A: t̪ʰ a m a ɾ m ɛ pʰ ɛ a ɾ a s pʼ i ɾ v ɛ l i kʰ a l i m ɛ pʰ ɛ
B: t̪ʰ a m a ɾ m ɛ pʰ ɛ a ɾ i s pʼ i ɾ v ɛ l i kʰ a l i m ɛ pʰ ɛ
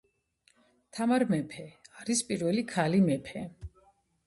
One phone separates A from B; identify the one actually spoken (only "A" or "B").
B